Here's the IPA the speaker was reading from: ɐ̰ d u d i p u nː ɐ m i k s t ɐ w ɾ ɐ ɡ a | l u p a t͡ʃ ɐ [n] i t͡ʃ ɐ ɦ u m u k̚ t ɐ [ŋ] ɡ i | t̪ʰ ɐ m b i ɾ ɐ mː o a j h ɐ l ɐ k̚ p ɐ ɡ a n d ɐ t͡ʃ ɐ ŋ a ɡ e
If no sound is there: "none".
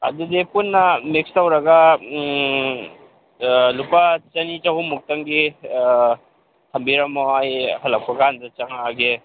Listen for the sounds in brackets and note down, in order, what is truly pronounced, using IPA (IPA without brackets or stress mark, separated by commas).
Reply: n, ŋ